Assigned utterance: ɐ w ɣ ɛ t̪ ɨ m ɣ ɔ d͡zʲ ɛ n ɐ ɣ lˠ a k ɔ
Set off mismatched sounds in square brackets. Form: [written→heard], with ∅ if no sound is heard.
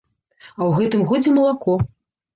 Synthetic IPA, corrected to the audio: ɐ w ɣ ɛ t̪ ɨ m ɣ ɔ d͡zʲ ɛ [n→m] ɐ [ɣ→∅] lˠ a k ɔ